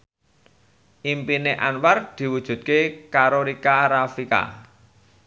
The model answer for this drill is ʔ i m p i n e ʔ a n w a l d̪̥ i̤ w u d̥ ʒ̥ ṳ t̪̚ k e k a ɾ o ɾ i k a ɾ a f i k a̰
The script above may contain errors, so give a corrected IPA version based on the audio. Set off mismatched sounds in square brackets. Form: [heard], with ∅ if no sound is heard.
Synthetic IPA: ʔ i m p i n e ʔ a n w a [r] d̪̥ i̤ w u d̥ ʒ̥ ṳ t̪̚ k e k a ɾ o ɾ i k a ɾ a f i k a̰